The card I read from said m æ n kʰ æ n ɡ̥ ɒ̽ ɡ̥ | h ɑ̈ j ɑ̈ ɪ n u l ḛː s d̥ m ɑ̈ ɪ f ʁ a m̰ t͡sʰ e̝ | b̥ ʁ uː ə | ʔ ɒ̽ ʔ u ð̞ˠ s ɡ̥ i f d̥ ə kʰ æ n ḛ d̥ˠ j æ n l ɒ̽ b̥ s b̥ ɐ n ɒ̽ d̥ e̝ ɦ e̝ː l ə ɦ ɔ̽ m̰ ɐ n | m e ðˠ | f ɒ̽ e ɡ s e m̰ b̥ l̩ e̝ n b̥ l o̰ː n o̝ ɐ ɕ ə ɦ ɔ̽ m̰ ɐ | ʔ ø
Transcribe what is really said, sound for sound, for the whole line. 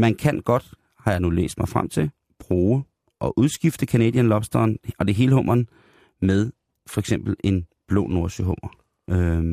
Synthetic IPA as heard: m æ n kʰ æ n ɡ̥ ɒ̽ d̥ | h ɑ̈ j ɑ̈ ɪ n u l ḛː s d̥ m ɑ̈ ɪ f ʁ a m̰ t͡sʰ e̝ | b̥ ʁ uː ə | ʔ ɒ̽ ʔ u ð̞ˠ s ɡ̥ i f d̥ ə kʰ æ n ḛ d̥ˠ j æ n l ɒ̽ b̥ s d̥ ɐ n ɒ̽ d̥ e̝ ɦ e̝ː l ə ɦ ɔ̽ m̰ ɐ n | m e ðˠ | f ɒ̽ e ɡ s e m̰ b̥ l̩ e̝ n b̥ l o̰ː n o̝ ɐ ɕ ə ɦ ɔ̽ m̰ ɐ | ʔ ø